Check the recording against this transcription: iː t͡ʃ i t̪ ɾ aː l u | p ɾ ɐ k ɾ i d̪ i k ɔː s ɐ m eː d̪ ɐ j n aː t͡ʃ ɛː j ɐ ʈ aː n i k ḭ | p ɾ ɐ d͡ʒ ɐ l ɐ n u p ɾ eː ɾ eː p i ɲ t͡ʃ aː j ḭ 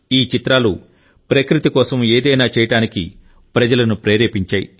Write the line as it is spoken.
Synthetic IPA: iː t͡ʃ i t̪ ɾ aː l u | p ɾ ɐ k ɾ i t̪ i k ɔː s ɐ m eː d̪ ɐ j n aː t͡ʃ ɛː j ɐ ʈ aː n i k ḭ | p ɾ ɐ d͡ʒ ɐ l ɐ n u p ɾ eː ɾ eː p i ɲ t͡ʃ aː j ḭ